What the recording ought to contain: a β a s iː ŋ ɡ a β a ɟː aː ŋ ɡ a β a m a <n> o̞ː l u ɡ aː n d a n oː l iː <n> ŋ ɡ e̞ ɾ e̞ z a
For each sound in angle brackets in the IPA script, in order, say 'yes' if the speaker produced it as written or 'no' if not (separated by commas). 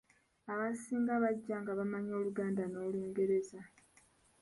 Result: no, no